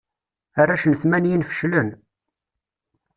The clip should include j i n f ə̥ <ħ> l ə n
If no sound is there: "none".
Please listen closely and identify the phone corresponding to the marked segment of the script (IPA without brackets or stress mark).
ʃ